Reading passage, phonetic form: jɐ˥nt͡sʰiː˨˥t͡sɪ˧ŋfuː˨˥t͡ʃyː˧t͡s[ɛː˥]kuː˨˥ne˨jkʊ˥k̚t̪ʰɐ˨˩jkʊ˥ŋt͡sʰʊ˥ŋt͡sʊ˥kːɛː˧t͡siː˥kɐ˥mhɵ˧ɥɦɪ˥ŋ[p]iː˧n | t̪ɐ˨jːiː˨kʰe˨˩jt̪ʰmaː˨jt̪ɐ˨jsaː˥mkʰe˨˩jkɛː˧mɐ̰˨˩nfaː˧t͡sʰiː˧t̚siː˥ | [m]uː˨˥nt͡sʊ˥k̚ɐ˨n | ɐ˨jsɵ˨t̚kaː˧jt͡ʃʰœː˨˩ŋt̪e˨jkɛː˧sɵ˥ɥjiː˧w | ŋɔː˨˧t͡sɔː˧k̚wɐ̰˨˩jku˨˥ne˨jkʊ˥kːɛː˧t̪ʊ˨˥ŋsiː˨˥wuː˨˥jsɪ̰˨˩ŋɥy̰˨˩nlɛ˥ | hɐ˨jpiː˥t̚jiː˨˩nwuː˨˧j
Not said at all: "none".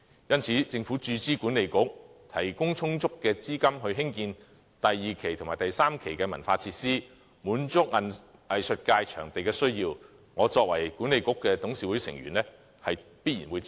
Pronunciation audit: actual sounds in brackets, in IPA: iː˥, k, m

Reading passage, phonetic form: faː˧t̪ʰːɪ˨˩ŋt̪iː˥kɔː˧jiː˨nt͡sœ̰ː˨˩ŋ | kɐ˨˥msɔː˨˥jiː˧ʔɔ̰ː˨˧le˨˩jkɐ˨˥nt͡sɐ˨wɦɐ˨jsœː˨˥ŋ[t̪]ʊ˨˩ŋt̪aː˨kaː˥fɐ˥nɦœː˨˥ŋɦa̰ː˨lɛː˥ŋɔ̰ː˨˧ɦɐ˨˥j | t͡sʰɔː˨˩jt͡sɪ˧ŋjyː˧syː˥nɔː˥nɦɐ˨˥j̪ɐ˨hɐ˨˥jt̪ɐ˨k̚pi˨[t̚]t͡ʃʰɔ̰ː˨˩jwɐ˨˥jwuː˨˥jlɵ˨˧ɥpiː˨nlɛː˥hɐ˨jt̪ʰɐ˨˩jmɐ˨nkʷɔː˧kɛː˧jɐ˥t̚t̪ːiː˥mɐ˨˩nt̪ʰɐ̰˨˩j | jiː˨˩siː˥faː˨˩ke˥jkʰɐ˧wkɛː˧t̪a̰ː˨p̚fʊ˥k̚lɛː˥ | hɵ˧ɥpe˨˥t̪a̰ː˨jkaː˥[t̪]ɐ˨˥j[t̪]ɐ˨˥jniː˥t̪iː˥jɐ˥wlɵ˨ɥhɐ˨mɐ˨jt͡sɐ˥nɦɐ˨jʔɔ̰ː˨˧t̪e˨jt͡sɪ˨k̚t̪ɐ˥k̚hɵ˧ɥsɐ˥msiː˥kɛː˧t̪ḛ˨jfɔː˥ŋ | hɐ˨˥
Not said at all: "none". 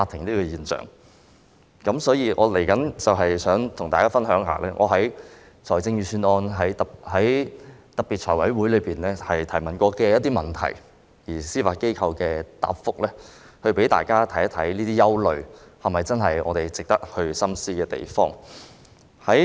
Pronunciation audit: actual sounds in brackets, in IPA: t̪ʰ, t̚, t̪ʰ, t̪ʰ

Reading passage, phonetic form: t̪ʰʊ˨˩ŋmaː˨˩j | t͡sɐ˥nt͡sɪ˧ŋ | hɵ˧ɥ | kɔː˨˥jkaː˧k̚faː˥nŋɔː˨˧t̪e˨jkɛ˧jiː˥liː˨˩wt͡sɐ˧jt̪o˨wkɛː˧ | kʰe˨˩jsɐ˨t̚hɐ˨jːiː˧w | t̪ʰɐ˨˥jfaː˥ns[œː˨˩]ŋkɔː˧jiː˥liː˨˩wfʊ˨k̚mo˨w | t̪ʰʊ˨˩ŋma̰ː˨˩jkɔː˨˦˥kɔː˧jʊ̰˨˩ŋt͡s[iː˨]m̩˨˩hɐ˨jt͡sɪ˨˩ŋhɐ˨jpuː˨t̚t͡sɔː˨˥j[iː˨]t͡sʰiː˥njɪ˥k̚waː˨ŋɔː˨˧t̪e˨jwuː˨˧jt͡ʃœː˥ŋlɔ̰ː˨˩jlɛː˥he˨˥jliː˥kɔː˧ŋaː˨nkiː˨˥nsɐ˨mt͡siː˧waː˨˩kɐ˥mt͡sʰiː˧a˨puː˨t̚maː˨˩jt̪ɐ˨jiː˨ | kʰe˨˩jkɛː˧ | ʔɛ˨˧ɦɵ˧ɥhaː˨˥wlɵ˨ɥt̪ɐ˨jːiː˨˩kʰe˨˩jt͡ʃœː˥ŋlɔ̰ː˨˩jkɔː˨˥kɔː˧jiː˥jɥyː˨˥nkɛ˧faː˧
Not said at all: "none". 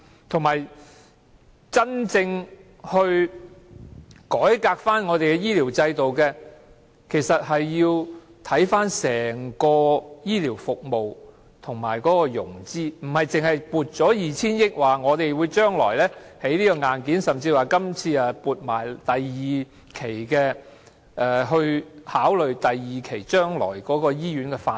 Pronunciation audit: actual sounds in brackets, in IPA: ɛː˨˩, iː˥, iː˨

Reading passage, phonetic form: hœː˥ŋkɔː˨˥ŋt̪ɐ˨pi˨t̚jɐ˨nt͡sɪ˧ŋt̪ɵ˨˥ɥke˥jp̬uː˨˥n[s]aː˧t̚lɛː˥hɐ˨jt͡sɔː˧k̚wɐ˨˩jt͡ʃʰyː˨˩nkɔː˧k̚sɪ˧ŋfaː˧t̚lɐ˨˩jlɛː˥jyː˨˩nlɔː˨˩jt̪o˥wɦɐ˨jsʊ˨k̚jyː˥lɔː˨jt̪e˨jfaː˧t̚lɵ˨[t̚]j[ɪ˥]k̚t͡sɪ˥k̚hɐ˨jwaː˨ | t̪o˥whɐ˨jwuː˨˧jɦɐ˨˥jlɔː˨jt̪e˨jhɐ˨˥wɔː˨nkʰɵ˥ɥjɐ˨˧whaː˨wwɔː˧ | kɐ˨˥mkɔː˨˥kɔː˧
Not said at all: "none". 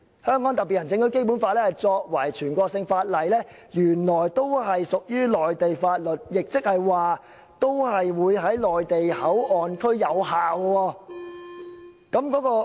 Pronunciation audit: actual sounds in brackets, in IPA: f, t̚, ɪ˨

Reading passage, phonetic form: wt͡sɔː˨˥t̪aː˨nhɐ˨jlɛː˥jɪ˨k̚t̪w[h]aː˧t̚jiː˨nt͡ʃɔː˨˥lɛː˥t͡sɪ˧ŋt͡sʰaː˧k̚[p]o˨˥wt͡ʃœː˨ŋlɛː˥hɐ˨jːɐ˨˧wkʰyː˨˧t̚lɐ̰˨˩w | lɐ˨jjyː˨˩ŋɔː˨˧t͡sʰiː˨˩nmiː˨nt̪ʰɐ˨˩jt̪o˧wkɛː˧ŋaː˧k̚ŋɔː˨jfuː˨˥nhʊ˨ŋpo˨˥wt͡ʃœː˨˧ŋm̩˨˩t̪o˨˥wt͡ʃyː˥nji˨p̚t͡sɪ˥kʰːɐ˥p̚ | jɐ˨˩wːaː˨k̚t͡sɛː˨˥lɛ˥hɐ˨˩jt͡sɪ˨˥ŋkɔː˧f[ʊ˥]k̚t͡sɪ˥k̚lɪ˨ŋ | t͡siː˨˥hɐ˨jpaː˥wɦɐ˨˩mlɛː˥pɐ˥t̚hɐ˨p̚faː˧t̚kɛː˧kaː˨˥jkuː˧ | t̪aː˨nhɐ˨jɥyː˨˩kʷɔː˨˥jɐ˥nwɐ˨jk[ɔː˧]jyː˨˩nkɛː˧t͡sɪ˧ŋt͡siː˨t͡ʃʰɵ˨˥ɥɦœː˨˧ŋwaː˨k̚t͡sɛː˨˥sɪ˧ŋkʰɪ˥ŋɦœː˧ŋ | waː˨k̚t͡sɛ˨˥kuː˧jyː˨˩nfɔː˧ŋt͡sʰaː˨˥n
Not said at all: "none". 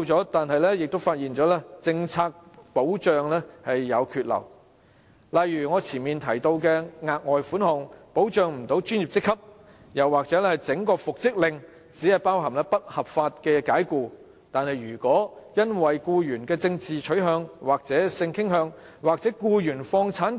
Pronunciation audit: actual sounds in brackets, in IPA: f, p, ʊ˨, uː˧

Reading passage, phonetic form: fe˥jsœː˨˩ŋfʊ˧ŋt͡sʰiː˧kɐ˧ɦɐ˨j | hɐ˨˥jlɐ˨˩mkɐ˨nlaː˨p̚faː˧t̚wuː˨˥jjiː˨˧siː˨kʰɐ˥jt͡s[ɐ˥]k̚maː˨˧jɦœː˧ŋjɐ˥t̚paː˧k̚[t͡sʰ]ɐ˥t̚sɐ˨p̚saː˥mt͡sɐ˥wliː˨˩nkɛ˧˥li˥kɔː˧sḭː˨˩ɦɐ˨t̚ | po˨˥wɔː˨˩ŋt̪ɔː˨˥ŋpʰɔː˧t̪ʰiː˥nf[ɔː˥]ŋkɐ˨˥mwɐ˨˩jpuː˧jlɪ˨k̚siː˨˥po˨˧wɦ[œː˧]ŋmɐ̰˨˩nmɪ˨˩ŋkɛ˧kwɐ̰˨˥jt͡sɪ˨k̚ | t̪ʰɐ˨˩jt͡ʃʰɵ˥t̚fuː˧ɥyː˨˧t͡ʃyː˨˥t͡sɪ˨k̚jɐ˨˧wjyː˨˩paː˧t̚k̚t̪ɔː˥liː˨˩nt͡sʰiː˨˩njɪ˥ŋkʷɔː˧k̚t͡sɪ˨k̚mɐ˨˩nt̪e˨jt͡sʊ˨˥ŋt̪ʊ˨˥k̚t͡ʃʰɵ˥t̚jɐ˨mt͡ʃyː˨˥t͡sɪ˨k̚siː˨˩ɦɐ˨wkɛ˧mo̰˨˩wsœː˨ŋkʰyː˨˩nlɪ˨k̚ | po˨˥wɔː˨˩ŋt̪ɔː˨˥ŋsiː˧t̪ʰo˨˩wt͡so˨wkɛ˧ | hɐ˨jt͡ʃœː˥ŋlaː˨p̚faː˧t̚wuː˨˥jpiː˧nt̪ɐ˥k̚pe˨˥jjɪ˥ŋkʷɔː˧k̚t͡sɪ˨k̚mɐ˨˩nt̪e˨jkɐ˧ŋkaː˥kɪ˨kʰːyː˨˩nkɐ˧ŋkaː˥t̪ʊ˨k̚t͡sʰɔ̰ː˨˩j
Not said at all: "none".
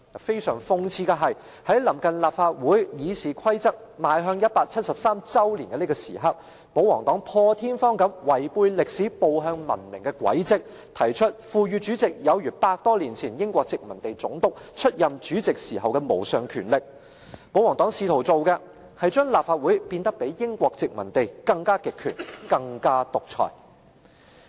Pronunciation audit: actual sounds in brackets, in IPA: ɐ˥, t͡sʰ, ɔː˥, œː˧

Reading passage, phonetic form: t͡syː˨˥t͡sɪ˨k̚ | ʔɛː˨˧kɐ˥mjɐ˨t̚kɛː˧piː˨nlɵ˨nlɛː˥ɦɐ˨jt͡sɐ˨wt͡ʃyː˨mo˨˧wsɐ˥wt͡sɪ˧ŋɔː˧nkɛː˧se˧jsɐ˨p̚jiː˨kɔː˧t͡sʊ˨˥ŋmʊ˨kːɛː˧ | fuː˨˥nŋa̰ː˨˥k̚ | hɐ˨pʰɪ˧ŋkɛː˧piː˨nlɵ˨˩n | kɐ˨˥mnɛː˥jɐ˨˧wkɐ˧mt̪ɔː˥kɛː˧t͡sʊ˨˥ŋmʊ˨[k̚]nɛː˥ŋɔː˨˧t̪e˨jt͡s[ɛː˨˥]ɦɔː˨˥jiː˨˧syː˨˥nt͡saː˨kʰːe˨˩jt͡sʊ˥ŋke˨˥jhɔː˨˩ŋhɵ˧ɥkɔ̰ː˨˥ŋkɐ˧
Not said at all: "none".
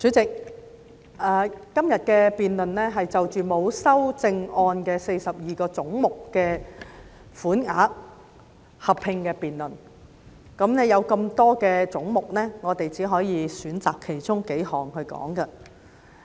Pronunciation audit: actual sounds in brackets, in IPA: k̚, iː˨˥

